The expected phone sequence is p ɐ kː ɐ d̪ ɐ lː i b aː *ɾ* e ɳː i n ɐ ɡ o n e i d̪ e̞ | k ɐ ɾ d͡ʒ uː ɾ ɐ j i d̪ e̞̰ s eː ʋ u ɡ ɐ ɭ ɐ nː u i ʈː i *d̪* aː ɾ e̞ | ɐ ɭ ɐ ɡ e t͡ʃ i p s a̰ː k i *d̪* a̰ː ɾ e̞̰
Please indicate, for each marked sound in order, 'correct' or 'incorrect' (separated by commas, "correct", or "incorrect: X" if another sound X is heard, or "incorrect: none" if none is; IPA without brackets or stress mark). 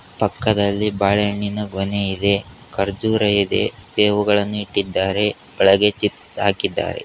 incorrect: ɭ, incorrect: d̪ː, incorrect: d̪ː